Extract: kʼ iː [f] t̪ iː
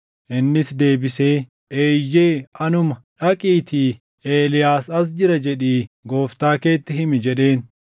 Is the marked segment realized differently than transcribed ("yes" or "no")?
yes